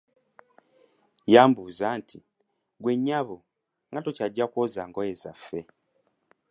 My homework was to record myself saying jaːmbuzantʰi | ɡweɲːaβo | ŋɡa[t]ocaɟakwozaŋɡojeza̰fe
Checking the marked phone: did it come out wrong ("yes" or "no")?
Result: no